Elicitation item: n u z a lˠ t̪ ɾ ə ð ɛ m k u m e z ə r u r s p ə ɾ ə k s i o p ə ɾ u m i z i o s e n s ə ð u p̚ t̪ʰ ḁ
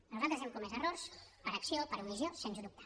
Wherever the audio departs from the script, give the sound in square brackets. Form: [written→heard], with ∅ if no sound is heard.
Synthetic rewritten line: n u z a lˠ t̪ ɾ ə [ð→z] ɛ m k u m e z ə r [u→o] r s p ə ɾ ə k s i o p ə ɾ u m i z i o s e n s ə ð u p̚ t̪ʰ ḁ